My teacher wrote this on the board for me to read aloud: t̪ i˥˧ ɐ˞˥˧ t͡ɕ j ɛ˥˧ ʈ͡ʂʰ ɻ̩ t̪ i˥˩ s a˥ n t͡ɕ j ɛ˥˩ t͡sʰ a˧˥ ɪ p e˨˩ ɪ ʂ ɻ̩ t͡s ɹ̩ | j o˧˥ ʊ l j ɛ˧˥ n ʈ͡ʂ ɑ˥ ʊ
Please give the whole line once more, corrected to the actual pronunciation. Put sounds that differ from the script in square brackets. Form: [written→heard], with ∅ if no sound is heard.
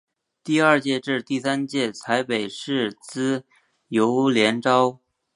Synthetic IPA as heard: t̪ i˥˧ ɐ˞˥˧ t͡ɕ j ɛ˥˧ [ʈ͡ʂʰ→ʈ͡ʂ] ɻ̩ t̪ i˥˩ s a˥ n t͡ɕ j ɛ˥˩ t͡sʰ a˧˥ ɪ p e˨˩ ɪ ʂ ɻ̩ t͡s ɹ̩ | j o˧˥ ʊ l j ɛ˧˥ n ʈ͡ʂ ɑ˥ ʊ